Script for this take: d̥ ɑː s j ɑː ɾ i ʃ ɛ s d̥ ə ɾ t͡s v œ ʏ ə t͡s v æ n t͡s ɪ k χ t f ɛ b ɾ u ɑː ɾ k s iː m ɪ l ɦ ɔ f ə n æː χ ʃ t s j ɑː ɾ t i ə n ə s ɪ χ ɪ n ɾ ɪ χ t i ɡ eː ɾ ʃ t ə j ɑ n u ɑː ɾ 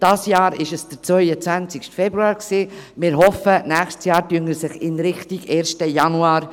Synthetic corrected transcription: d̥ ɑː s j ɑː ɾ ɪ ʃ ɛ s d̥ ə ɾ t͡s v œ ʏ ə t͡s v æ n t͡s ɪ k ʃ t f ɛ b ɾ u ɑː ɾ k s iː m ɪ ɾ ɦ ɔ f ə n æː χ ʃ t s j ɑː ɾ t y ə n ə s ɪ χ ɪ n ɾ ɪ χ t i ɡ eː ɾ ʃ t ə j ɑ n u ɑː ɾ

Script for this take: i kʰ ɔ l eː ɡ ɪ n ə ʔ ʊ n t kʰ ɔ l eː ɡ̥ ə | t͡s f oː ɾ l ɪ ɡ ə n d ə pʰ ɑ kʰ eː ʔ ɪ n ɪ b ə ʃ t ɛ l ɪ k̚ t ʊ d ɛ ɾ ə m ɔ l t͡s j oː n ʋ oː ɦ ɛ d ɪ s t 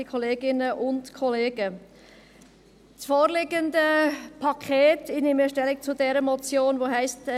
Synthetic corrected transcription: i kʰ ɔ l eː ɡ ɪ n ə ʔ ʊ n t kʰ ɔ l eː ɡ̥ ə | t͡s f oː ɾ l ɪ ɡ ə n d ə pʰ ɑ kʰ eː t ɪ n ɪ m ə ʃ t ɛ l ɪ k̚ t͡s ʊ d ɛ ɾ ə m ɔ t͡s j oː n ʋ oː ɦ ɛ ɪ s t

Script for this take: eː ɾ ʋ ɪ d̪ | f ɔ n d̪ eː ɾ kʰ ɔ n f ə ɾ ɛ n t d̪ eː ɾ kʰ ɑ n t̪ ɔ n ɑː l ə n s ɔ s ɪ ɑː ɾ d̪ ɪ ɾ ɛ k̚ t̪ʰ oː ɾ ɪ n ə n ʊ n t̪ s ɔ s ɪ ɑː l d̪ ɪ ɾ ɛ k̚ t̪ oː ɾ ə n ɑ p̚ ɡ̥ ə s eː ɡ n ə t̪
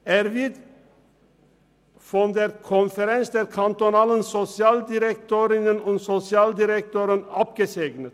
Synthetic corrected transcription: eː ɾ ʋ ɪ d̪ | f ɔ n d̪ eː ɾ kʰ ɔ n f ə ɾ ɛ n s d̪ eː ɾ kʰ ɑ n t̪ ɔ n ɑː l ə n s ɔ s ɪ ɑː l d̪ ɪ ɾ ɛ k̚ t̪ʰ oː ɾ ɪ n ə n ʊ n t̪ s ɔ s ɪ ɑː l d̪ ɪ ɾ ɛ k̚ t̪ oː ɾ ə n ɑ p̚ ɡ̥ ə s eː ɡ n ə t̪

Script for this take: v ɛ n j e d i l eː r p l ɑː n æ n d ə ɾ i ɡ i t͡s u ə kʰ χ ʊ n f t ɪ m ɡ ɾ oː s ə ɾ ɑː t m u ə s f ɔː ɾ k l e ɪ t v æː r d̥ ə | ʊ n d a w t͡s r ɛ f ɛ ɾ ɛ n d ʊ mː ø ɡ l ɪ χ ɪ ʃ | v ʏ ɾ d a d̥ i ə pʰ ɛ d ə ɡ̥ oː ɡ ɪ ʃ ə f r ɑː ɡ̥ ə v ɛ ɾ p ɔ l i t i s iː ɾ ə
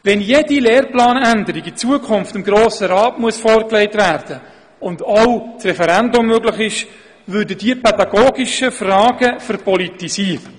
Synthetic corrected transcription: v ɛ n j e d i l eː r p l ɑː n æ n d ə ɾ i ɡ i t͡s u ə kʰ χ ʊ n f t ɪ m ɡ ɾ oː s ə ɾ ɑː t m u ə s f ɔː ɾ k l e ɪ t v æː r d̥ ə | ʊ n d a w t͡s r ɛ f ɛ ɾ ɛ n d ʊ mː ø ɡ l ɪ χ ɪ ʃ | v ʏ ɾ d ə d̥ i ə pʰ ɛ d ɑ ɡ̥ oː ɡ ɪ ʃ ə f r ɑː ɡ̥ ə f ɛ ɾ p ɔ l i t i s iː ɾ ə

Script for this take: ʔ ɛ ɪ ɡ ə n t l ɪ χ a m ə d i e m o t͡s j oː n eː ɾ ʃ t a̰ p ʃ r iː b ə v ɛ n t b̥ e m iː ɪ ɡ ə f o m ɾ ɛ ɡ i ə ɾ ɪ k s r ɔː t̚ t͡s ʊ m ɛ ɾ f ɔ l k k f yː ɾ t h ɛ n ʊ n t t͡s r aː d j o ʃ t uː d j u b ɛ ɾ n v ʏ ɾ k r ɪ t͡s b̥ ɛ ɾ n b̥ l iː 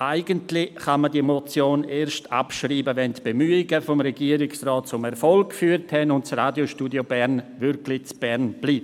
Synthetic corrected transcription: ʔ a ɪ ɡ ə n t l ɪ χ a m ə d i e m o t͡s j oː n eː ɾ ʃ t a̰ p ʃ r iː b ə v ɛ n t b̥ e m yː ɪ ɡ ə f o m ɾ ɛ ɡ i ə ɾ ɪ k s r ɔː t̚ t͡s ʊ m ɛ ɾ f ɔ l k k f yː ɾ t h ɛ n ʊ n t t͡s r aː d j o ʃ t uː d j o b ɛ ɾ n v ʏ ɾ k l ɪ t͡s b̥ ɛ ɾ n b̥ l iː

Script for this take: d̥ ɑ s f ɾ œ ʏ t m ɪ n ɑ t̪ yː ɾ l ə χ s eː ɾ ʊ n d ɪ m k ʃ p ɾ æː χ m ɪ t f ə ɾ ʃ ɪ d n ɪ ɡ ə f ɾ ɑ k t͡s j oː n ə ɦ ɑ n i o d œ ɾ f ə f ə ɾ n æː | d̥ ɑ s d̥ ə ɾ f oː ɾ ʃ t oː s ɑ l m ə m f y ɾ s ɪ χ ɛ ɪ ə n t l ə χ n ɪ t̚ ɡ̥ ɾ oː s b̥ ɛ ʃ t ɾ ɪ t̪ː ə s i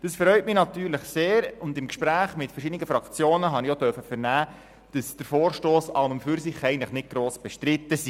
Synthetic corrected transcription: d̥ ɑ s f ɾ œ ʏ t m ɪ n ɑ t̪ yː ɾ l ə χ s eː ɾ ʊ n d ɪ m k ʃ p ɾ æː χ m ɪ t f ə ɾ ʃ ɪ d n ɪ ɡ ə f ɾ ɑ k t͡s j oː n ə ɦ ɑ n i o d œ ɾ f ə f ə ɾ n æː | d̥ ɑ s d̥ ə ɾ f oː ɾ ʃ t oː s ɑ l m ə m f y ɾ s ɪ χ ɛ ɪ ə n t l ə χ n ɪ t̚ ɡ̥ ɾ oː s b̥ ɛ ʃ t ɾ ɪ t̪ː ə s i

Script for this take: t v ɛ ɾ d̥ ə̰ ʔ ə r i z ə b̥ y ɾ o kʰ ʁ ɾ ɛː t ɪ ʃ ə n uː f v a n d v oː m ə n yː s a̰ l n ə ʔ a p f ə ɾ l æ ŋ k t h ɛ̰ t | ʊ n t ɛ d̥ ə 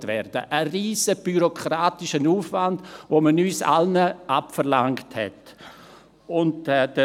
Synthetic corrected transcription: t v ɛ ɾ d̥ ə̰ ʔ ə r iː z ə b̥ y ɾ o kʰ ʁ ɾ aː t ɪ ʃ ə n uː f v a n d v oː m ə n yː s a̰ l n ə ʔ a p f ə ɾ l a ŋ k t h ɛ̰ t | ʊ n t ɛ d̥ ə

